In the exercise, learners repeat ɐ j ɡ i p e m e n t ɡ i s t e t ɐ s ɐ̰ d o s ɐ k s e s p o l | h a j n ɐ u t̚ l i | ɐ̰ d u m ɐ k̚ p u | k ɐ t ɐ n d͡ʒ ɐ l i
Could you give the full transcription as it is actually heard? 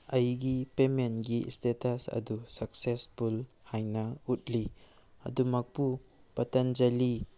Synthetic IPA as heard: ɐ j ɡ i p e m e n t ɡ i s t e t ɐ s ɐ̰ d u s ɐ k s e s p u l | h a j n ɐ u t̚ l i | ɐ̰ d u m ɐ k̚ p u | p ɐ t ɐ n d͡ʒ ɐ l i